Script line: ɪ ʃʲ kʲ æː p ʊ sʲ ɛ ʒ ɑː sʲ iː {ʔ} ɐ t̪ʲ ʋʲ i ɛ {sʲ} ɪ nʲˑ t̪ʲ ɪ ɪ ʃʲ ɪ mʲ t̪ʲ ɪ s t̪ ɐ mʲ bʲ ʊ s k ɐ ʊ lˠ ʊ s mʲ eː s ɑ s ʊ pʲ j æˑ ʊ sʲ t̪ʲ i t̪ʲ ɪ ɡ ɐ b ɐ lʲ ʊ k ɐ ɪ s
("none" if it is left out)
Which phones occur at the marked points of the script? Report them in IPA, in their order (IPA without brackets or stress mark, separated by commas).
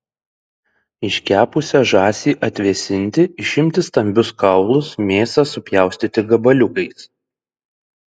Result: ʔ, sʲ